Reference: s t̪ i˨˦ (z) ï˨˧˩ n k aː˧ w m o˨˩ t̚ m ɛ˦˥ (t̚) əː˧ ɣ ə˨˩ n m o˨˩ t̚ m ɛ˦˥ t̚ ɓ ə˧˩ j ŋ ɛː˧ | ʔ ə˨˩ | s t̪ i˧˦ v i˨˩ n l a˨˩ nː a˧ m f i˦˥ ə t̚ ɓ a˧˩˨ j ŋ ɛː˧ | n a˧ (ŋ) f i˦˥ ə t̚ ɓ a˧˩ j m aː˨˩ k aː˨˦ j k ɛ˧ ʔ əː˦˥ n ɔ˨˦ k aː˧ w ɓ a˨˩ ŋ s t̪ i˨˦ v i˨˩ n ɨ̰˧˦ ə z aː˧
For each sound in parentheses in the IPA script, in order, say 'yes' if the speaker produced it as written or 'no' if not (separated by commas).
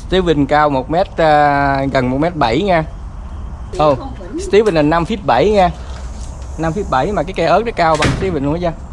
no, yes, no